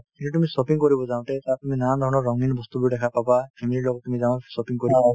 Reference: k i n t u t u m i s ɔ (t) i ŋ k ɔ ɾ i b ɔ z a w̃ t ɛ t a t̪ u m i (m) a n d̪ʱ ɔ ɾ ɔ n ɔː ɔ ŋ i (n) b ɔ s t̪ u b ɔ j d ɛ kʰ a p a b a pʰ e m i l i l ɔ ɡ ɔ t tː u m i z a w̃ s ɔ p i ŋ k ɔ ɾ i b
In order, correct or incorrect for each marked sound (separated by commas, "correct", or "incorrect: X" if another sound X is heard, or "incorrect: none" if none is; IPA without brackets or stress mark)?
incorrect: p, incorrect: n, correct